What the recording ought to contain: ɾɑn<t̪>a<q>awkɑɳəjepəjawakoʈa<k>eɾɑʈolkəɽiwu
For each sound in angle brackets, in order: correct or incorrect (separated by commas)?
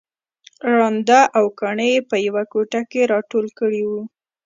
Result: incorrect, incorrect, correct